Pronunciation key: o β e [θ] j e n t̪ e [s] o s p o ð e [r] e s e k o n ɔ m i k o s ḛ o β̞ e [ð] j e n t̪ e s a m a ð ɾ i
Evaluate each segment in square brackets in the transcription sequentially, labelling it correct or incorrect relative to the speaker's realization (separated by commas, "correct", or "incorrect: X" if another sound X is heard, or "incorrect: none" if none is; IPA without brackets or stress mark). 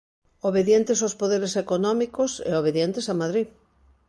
incorrect: ð, correct, incorrect: ɾ, correct